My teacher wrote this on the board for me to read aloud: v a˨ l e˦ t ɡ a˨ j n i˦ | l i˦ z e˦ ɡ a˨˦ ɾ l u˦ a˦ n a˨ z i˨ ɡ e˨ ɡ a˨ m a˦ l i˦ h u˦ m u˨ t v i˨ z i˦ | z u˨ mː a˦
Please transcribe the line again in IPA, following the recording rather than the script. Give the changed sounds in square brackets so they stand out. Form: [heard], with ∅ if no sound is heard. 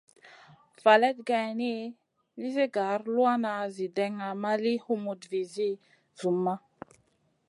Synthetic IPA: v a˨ l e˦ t ɡ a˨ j n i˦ | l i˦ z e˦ ɡ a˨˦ ɾ l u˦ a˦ n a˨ z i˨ [d] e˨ [ŋ] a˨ m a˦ l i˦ h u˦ m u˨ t v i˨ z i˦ | z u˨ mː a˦